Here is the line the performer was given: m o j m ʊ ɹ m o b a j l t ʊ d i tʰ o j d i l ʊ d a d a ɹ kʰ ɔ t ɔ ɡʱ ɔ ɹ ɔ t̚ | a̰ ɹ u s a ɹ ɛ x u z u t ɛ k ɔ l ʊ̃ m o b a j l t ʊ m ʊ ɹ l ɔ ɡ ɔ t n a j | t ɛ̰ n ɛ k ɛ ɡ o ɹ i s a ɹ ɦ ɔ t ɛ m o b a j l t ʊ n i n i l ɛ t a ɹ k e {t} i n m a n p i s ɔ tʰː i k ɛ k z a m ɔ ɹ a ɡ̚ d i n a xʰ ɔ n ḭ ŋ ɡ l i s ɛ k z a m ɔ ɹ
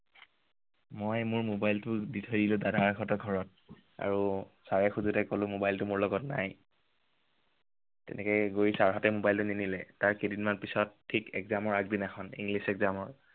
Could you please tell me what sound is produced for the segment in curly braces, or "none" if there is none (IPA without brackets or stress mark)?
d